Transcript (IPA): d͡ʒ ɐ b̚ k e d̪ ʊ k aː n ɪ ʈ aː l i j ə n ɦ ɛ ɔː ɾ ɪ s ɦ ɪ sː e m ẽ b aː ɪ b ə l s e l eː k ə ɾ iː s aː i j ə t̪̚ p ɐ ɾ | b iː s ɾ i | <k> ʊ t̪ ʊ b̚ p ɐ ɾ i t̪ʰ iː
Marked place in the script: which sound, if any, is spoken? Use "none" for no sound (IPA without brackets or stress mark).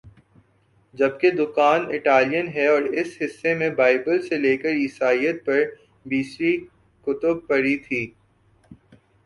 k